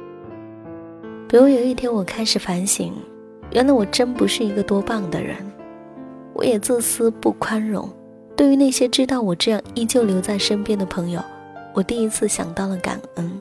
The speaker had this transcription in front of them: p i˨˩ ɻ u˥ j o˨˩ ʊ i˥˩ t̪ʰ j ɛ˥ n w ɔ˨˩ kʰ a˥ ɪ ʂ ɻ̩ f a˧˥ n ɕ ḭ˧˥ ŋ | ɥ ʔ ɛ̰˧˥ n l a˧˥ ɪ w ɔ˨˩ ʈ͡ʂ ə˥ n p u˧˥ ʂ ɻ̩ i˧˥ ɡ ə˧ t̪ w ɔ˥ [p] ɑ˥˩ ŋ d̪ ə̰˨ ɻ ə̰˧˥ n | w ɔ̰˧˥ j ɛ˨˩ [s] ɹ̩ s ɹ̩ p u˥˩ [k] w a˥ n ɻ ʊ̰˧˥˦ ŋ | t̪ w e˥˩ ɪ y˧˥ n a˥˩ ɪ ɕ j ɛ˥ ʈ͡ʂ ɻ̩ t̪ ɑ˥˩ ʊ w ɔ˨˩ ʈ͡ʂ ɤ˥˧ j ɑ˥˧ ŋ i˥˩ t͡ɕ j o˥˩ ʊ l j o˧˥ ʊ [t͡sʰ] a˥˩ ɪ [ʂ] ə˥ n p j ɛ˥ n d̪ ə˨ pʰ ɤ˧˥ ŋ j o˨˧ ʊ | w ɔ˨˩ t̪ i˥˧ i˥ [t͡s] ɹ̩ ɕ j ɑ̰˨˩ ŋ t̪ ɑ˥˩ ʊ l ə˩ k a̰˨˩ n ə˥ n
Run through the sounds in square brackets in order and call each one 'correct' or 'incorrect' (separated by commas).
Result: correct, incorrect, incorrect, incorrect, correct, incorrect